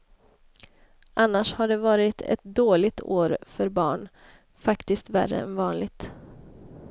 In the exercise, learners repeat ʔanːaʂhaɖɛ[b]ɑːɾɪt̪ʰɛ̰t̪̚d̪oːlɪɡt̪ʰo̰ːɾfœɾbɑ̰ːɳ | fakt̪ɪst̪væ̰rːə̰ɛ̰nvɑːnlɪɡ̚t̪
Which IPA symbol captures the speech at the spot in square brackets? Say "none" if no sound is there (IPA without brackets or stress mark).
v